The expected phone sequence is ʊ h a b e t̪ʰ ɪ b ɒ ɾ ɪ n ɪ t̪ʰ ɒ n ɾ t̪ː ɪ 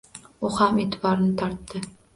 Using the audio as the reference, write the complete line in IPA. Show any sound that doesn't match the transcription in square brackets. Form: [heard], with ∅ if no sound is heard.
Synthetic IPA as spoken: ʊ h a [m] e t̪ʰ ɪ b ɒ ɾ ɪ n ɪ t̪ʰ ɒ [∅] ɾ t̪ː ɪ